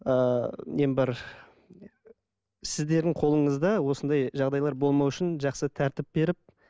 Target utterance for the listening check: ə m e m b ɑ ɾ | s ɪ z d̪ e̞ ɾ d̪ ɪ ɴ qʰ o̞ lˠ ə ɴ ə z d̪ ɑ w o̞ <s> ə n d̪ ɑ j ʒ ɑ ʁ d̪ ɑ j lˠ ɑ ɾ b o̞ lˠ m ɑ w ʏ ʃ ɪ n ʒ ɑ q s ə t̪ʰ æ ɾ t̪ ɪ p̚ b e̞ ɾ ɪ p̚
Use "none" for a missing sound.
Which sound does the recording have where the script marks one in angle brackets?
s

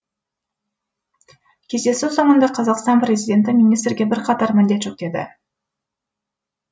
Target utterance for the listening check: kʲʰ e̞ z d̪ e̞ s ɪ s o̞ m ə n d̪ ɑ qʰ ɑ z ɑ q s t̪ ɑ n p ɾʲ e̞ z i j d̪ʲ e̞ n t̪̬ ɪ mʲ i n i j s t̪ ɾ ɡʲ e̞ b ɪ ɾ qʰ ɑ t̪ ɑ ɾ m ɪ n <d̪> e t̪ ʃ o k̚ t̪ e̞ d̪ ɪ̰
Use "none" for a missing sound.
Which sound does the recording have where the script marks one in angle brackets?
d̪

